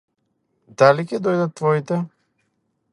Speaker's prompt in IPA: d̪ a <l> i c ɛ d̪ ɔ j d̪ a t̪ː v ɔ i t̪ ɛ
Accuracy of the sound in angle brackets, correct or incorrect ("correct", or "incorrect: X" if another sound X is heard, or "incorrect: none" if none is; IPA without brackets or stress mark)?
correct